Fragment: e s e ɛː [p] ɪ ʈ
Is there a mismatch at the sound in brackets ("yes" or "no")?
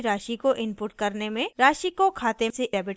yes